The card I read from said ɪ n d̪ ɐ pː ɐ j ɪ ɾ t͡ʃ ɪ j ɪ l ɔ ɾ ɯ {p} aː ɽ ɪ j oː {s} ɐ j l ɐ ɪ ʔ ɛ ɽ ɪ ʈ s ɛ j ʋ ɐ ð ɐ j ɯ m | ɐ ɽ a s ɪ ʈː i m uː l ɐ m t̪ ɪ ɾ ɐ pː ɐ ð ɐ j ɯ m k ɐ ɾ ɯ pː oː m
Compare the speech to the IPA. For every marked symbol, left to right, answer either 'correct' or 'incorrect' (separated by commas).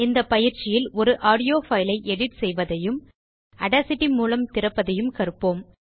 incorrect, incorrect